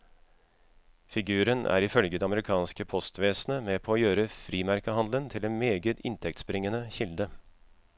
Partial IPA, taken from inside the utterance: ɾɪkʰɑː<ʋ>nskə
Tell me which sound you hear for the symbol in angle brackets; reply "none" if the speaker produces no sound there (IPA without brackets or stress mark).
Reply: none